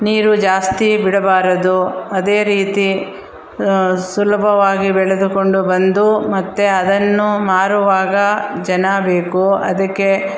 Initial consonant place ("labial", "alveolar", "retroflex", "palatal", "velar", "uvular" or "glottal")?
alveolar